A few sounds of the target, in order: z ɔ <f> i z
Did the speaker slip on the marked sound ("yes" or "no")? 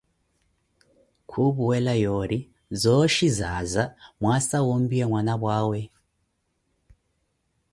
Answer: yes